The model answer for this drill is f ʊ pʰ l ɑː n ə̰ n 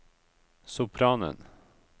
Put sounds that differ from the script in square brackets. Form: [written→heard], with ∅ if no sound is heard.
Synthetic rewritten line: [f→s] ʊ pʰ [l→ɾ] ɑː n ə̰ n